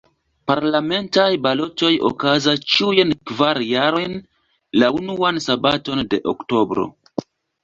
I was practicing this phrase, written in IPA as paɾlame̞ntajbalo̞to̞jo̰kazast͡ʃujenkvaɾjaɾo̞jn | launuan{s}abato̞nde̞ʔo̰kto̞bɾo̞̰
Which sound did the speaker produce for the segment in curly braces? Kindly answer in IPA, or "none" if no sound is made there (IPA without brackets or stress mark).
s